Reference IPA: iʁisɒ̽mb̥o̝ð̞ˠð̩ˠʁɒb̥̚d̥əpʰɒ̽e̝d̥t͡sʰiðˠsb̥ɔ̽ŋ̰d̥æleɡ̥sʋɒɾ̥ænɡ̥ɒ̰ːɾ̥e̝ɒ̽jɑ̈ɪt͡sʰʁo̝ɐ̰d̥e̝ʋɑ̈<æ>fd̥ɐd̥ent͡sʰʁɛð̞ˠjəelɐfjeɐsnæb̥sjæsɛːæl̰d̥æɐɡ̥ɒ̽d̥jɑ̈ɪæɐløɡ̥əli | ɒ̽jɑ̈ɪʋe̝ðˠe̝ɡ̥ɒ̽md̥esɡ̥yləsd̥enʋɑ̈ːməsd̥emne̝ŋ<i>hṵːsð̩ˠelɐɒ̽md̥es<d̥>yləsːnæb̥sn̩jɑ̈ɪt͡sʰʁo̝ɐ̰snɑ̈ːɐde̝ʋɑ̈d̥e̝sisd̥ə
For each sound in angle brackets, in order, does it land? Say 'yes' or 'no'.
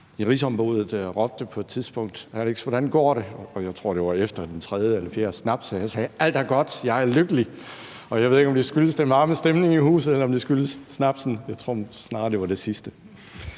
no, yes, no

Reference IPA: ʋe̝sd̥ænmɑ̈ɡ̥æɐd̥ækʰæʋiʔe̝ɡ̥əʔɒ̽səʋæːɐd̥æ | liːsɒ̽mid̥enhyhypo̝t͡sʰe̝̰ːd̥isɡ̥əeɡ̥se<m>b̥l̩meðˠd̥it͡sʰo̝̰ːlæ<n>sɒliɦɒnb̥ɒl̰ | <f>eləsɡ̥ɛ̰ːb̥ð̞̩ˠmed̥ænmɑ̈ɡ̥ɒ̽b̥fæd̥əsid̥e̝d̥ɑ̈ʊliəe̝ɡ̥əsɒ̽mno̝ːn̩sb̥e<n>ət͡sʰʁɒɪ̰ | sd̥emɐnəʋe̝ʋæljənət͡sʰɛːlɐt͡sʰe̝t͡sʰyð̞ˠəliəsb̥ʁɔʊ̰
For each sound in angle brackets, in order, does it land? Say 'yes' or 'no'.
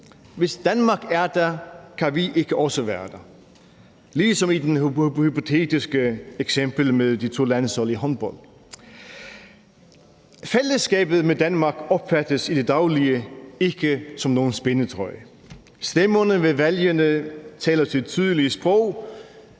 yes, yes, yes, yes

